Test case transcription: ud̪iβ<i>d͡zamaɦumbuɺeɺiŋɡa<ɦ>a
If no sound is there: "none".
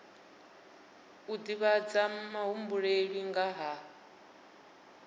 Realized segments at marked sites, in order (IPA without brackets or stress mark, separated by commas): a, ɦ